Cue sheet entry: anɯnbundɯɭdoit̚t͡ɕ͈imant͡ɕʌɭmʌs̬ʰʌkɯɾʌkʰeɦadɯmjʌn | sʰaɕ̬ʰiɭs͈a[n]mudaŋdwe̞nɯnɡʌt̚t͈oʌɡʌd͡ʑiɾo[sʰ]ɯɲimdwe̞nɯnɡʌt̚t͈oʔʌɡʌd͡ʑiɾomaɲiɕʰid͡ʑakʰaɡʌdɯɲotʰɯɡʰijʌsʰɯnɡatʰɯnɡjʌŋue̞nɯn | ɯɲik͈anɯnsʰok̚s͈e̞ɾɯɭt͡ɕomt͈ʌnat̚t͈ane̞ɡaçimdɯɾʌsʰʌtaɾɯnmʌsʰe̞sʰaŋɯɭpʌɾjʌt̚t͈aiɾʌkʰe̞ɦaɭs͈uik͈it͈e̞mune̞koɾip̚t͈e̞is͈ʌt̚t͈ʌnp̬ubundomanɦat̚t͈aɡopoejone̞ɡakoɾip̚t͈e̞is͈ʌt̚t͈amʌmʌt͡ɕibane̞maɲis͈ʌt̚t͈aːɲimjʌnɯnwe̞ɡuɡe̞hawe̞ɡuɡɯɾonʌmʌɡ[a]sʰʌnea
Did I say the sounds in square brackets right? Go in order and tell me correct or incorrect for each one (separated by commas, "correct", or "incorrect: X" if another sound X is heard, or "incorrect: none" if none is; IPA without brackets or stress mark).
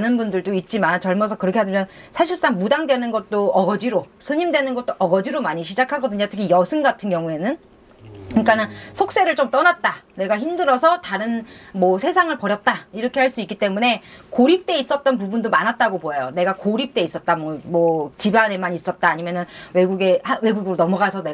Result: incorrect: ŋ, correct, correct